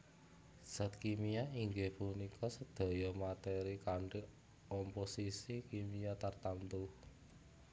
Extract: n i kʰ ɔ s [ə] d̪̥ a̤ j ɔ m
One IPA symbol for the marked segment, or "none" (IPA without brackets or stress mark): ə